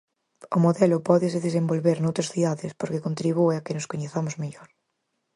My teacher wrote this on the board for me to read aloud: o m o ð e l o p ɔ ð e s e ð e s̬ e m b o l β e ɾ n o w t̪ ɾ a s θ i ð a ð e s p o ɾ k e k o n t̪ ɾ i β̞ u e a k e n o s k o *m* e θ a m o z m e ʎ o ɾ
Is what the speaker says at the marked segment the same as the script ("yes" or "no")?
no